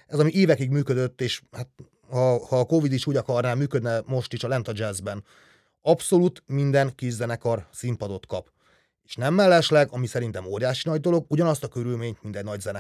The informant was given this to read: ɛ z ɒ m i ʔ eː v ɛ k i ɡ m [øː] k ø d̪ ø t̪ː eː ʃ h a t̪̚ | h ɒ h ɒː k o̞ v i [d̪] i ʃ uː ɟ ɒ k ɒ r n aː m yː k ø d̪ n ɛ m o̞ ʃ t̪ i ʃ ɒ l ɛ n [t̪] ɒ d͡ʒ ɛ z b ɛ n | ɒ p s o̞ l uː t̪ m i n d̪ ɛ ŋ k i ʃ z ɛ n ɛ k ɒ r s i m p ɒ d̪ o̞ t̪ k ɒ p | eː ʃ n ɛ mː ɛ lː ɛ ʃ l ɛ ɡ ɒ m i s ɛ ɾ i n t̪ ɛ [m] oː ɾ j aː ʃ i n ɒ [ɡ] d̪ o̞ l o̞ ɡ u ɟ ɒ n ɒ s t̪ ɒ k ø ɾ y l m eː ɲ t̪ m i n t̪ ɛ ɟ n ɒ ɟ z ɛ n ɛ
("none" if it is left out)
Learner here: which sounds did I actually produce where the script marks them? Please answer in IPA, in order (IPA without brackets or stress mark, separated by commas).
yː, d̪, t̪, m, ɟ